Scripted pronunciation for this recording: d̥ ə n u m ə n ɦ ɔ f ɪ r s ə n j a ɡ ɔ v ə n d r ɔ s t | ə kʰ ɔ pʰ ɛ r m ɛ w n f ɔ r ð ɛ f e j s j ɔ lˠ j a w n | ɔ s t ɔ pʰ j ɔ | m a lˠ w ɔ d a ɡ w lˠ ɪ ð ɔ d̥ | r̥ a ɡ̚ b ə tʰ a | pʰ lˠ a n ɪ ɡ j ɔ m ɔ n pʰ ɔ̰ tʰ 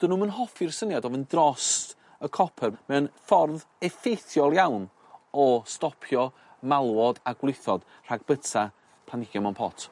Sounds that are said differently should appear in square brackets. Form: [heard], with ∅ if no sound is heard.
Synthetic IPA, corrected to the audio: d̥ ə n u m ə n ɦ ɔ f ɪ r s ə n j a [d] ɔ v ə n d r ɔ s t | ə kʰ ɔ pʰ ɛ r m ɛ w n f ɔ r ð ɛ f e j [θ] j ɔ lˠ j a w n | ɔ s t ɔ pʰ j ɔ | m a lˠ w ɔ d a ɡ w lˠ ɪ [θ] ɔ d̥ | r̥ a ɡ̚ b ə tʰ a | pʰ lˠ a n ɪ ɡ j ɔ m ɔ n pʰ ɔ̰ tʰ